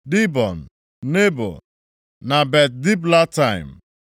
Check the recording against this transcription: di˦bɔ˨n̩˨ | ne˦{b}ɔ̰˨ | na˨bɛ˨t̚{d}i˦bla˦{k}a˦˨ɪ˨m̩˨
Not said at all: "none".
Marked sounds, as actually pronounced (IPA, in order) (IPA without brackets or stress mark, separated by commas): b, d, t